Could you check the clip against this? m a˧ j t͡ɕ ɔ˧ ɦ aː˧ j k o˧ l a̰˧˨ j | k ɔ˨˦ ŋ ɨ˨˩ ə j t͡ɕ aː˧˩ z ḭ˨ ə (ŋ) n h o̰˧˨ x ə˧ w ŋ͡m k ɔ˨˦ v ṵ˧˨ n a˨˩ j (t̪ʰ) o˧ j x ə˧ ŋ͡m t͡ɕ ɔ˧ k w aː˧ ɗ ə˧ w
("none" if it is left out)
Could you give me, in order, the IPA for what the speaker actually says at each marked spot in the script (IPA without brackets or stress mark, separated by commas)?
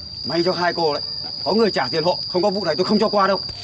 none, t̪